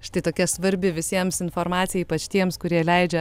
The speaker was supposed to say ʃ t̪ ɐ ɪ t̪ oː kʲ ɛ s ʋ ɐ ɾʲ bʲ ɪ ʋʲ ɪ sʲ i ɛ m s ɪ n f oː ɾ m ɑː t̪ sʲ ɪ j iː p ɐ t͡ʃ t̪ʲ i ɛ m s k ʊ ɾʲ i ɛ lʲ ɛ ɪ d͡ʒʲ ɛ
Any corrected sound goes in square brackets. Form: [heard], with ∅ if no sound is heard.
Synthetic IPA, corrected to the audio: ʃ t̪ ɐ ɪ t̪ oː kʲ ɛ s ʋ ɐ ɾʲ bʲ ɪ ʋʲ ɪ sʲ i ɛ m s ɪ n f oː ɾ m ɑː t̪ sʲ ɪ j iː p ɐ t͡ʃ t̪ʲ i ɛ m s k ʊ ɾʲ i ɛ lʲ ɛ ɪ d͡ʒʲ ɛ